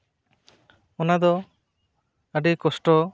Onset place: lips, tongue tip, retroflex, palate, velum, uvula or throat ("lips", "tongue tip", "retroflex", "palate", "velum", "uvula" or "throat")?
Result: tongue tip